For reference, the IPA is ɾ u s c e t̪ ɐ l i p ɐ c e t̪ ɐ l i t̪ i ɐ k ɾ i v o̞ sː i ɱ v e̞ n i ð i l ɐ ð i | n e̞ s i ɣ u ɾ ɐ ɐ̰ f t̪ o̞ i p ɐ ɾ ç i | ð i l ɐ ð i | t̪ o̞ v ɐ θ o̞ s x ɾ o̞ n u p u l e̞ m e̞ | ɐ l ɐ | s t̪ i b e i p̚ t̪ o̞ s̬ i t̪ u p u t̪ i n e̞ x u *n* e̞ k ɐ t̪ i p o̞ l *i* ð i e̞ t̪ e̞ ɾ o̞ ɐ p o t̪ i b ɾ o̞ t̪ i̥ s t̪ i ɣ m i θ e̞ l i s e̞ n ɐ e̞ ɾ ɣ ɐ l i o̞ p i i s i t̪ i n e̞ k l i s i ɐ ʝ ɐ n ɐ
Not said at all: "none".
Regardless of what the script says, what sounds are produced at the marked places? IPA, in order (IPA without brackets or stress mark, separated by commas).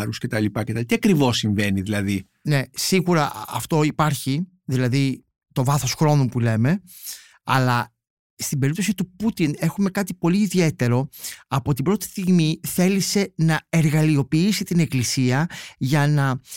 m, iː